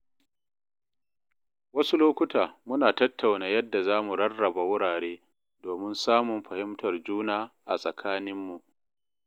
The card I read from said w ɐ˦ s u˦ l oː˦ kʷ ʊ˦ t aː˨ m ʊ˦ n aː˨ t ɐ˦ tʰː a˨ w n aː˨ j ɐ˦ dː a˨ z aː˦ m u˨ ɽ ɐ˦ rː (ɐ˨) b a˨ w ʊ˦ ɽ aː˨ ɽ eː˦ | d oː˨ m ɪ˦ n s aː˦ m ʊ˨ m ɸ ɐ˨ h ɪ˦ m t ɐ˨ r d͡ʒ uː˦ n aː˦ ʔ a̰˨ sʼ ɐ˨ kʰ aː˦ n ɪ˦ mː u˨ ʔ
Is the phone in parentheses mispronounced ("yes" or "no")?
no